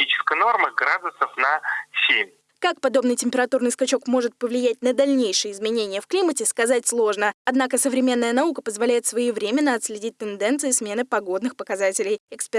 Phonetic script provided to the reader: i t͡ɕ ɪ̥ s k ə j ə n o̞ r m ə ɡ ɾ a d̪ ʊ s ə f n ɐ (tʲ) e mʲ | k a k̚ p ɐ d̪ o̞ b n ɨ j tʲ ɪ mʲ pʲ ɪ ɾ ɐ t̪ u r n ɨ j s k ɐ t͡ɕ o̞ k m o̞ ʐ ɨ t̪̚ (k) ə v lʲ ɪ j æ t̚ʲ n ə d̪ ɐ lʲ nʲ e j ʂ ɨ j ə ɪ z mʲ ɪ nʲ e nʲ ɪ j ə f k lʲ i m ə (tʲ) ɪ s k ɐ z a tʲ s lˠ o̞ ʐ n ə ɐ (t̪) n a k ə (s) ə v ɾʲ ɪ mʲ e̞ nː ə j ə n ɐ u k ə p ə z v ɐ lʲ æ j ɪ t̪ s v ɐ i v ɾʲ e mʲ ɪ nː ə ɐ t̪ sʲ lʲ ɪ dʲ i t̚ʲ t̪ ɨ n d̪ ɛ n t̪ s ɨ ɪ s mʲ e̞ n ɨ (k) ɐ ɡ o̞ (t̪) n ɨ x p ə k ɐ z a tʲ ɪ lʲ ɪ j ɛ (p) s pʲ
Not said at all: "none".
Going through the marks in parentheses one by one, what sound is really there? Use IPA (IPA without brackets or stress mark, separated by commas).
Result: sʲ, p, tʲ, d̪, s, p, d̪, k